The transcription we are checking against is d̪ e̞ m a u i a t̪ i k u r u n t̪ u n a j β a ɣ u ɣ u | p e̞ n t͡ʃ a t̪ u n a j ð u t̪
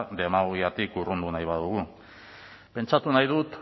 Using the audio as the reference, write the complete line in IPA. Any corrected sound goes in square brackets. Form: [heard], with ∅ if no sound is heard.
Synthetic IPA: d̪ e̞ m a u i a t̪ i k u r u n [d̪] u n a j β a [ð] u ɣ u | p e̞ n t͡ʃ a t̪ u n a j ð u t̪

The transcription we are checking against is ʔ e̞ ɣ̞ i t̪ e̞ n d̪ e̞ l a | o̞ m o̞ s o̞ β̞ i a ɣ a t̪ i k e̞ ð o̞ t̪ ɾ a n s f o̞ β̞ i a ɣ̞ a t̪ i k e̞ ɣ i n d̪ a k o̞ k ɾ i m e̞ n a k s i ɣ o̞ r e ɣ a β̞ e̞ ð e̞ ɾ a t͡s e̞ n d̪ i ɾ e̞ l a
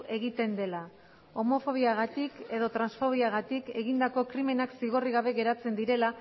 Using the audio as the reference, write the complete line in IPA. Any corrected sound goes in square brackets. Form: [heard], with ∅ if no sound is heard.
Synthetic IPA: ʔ e̞ ɣ̞ i t̪ e̞ n d̪ e̞ l a | o̞ m o̞ [f] o̞ β̞ i a ɣ a t̪ i k e̞ ð o̞ t̪ ɾ a n s f o̞ β̞ i a ɣ̞ a t̪ i k e̞ ɣ i n d̪ a k o̞ k ɾ i m e̞ n a k s i ɣ o̞ r [i] ɣ a β̞ e̞ [ɣ] e̞ ɾ a t͡s e̞ n d̪ i ɾ e̞ l a

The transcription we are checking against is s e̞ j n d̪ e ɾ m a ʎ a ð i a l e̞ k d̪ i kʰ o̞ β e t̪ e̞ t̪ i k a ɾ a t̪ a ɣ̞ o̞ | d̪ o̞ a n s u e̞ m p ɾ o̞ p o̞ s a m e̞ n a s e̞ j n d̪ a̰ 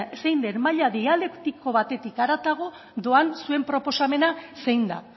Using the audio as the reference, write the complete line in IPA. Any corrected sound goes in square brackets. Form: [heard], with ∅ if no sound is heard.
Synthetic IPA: s e̞ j n d̪ e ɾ m a ʎ a ð i a l e̞ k [t̪] i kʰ o̞ β [a] t̪ e̞ t̪ i k a ɾ a t̪ a ɣ̞ o̞ | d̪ o̞ a n s u e̞ m p ɾ o̞ p o̞ s a m e̞ n a s e̞ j n d̪ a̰

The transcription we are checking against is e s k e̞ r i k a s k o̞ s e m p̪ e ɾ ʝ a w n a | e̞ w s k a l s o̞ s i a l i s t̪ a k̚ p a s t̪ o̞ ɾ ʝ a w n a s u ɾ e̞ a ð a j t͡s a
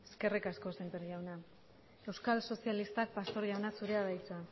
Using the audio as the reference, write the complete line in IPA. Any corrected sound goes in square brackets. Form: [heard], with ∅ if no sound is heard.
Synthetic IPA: e s k e̞ r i k a s k o̞ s e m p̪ e ɾ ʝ a w n a | e̞ w s k a l s o̞ s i a l i s t̪ a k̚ p a s t̪ o̞ ɾ ʝ a w n a s u ɾ e̞ a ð a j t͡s a

